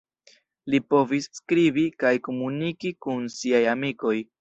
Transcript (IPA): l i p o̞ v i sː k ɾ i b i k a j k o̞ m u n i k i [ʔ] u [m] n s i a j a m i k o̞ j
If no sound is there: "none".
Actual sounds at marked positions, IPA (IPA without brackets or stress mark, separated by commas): k, none